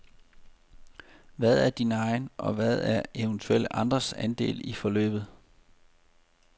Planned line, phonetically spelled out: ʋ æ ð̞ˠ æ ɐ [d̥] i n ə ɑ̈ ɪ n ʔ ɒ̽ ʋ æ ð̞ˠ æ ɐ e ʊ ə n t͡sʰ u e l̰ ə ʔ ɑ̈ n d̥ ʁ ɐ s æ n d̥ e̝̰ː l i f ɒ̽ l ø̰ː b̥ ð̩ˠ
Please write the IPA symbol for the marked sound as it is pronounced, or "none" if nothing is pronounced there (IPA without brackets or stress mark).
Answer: d̥